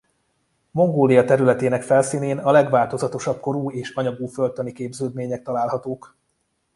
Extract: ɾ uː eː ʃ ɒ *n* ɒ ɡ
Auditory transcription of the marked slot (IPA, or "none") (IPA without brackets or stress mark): ɲ